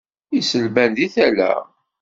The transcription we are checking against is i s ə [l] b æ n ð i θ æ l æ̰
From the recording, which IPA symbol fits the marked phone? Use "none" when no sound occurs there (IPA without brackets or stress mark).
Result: l